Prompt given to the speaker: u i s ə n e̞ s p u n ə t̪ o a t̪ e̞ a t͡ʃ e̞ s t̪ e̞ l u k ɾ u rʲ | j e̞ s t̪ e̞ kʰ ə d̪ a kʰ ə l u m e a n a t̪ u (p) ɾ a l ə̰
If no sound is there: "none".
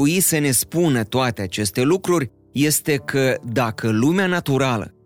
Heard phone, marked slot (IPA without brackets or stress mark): none